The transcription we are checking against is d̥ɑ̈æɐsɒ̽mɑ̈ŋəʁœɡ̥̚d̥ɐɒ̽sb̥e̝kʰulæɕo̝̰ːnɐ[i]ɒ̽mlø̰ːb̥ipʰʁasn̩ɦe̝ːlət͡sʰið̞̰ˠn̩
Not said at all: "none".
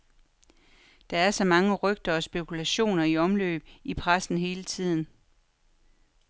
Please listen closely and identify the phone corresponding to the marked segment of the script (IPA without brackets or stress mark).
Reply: i